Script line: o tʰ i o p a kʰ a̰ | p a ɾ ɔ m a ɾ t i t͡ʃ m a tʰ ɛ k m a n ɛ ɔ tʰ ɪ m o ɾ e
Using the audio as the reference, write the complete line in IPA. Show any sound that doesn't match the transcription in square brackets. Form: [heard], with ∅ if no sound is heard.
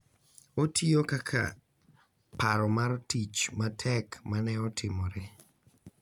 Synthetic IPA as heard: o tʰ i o [k] a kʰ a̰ | p a ɾ ɔ m a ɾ t i t͡ʃ m a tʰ ɛ k m a n ɛ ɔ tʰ ɪ m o ɾ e